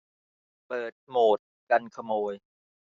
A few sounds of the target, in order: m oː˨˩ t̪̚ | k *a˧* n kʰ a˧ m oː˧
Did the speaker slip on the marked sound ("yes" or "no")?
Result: no